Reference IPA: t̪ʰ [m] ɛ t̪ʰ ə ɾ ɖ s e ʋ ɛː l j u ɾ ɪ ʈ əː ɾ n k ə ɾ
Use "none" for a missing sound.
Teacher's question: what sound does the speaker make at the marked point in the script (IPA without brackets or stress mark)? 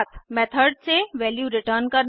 m